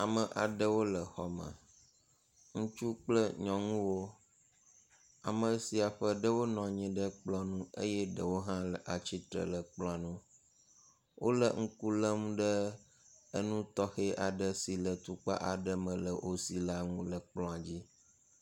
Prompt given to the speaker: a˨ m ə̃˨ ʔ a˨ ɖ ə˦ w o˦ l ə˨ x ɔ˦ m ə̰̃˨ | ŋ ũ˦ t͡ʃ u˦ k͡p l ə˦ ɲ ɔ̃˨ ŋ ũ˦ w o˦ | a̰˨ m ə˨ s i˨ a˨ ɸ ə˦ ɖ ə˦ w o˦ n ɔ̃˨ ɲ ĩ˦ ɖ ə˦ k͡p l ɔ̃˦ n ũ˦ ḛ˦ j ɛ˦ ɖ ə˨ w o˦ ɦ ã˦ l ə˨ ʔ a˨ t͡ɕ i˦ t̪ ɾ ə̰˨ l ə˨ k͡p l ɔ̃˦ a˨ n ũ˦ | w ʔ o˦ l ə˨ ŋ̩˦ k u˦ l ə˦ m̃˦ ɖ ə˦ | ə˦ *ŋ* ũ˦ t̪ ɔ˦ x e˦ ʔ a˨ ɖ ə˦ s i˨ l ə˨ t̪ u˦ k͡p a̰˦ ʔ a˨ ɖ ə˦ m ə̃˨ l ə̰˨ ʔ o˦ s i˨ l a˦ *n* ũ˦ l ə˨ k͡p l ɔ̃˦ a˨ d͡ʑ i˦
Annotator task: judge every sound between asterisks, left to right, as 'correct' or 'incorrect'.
incorrect: n, incorrect: ŋ

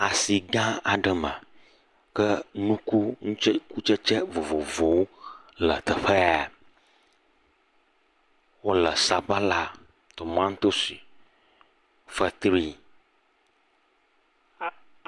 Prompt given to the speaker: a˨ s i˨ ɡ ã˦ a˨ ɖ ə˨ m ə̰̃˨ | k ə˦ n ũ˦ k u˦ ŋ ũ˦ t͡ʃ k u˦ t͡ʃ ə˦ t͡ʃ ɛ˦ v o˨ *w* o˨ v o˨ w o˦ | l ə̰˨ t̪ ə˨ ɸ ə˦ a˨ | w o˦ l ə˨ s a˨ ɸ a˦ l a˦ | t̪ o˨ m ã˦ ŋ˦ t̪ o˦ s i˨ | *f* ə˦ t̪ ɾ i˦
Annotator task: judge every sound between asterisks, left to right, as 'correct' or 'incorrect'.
incorrect: v, correct

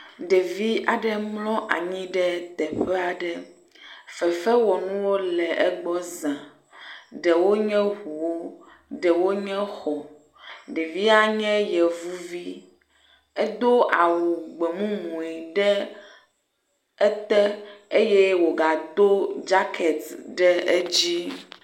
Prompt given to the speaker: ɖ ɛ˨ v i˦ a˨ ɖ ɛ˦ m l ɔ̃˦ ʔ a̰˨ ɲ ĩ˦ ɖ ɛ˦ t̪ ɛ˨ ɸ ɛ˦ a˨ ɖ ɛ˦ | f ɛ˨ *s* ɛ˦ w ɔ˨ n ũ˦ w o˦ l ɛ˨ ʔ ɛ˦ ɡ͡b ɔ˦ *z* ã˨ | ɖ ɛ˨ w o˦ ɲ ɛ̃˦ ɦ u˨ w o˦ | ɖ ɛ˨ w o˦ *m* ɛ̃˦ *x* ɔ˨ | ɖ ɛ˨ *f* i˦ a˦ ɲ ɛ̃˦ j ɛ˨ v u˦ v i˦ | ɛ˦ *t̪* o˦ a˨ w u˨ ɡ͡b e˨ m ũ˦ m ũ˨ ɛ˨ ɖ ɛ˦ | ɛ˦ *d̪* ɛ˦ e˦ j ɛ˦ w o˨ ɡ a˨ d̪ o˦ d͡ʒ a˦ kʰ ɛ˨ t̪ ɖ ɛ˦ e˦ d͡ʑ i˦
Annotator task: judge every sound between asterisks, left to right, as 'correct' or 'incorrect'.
incorrect: f, correct, incorrect: ɲ, correct, incorrect: v, incorrect: d̪, incorrect: t̪

